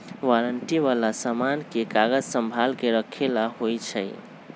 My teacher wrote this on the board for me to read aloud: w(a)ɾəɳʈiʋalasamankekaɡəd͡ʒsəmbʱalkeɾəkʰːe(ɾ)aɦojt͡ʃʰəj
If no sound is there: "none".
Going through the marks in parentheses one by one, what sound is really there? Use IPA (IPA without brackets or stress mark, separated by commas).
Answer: a, l